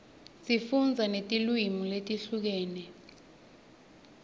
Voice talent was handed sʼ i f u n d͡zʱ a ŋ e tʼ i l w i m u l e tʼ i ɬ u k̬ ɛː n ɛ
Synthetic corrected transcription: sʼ i f u n d͡zʱ a n e tʼ i l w i m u l e tʼ i ɬ u k̬ ɛː n ɛ